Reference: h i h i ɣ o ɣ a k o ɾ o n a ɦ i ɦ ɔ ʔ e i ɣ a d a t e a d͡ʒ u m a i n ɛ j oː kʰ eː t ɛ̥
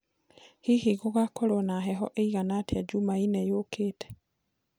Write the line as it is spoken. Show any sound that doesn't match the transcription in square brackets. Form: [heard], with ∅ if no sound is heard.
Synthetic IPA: h i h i ɣ o ɣ a k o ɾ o n a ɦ [ɛ] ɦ ɔ ʔ e i ɣ a [n] a t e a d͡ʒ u m a i n ɛ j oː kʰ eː t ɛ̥

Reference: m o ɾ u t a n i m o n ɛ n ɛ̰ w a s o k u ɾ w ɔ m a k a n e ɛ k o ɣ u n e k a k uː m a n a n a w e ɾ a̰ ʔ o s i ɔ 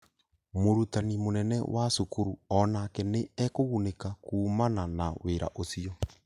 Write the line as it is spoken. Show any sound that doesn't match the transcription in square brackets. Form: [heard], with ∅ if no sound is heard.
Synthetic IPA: m o ɾ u t a n i m o n ɛ n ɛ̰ w a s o k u ɾ [u] ɔ [n] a k [ɛ] n e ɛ k o ɣ u n e k a k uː m a n a n a w e ɾ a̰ ʔ o s i ɔ

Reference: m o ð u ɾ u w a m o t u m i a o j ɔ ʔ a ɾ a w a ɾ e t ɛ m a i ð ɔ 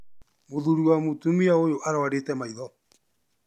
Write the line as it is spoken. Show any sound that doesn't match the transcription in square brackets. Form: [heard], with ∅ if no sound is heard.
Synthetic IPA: m o ð u ɾ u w a m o t u m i a o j [o] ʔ a ɾ a w a ɾ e t ɛ m a i ð ɔ

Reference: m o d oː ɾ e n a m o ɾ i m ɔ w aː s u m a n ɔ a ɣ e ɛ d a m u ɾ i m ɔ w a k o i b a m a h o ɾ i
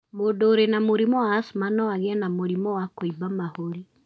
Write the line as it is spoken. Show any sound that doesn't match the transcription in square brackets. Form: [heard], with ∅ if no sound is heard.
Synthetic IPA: m o d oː ɾ e n a m o ɾ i m ɔ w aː s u m a n ɔ a ɣ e ɛ [n] a m [o] ɾ i m ɔ w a k o i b a m a h o ɾ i

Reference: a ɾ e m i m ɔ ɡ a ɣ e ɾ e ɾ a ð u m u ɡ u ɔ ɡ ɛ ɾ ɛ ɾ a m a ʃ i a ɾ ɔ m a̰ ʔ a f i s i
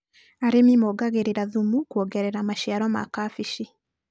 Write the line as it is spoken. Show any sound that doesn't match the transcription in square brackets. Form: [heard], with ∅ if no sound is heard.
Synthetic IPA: a ɾ e m i m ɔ ɡ a ɣ e ɾ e ɾ a ð u m u [k] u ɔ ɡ ɛ ɾ ɛ ɾ a m a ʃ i a ɾ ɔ m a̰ [k] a f i [ʃ] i

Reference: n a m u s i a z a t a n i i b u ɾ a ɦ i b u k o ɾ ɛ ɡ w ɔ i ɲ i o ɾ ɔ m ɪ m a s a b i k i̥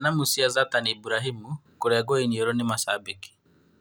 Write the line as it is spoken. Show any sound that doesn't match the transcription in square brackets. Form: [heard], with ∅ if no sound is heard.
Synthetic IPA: n a m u s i a z a t a n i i b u ɾ a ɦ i [m] u k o ɾ ɛ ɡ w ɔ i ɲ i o ɾ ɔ [n] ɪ m a s a b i k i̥

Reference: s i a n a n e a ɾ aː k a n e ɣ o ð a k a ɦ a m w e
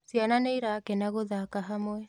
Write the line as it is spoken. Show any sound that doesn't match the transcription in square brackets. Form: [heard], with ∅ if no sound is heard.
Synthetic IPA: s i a n a n e [i] ɾ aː k [ɛ] n [a] ɣ o ð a k a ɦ a m w [ɛ]

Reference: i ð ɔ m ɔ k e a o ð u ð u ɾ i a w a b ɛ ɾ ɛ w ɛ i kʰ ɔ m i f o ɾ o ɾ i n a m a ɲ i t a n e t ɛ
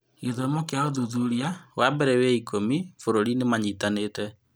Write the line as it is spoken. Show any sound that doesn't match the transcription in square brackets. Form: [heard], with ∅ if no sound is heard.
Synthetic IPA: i ð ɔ m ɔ k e a o ð u ð u ɾ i a w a b ɛ ɾ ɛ w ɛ i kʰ [o] m i f o ɾ o ɾ i n [e] m a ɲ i t a n e t ɛ

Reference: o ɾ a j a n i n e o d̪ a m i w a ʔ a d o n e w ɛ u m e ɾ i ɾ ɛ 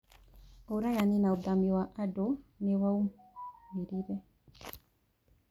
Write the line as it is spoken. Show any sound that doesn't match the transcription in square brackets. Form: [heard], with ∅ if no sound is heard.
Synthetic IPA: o ɾ a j a n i n [a] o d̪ a m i w a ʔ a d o n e w [a] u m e ɾ i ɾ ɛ

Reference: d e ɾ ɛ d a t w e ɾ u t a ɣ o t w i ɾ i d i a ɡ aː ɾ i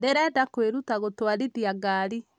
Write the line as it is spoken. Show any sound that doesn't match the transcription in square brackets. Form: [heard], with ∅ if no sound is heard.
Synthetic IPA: d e ɾ ɛ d a [k] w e ɾ u t a ɣ o t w [a] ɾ i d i a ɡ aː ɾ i

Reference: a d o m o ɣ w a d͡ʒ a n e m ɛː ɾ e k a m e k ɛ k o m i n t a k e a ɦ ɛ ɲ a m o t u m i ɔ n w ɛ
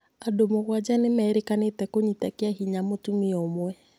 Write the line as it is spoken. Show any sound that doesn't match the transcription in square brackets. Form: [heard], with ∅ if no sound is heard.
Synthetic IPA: a d o m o ɣ w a d͡ʒ a n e m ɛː ɾ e k a [n] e [t] ɛ k o [ɲ] i [∅] t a k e a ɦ [i] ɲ a m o t u m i ɔ [m] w ɛ

